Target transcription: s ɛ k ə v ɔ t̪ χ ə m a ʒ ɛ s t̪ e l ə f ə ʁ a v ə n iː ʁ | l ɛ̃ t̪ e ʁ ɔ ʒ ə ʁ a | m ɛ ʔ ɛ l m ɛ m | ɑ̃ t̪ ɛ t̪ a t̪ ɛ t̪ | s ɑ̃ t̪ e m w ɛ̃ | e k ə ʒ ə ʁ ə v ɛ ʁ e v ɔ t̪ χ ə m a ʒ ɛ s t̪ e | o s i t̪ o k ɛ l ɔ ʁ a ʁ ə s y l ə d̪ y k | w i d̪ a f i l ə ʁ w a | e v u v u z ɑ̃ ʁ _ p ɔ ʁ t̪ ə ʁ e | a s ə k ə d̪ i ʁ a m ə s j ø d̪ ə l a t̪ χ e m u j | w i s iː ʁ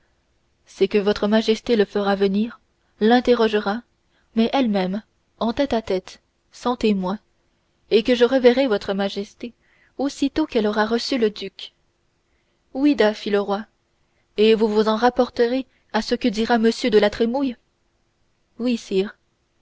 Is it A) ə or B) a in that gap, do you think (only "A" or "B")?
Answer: B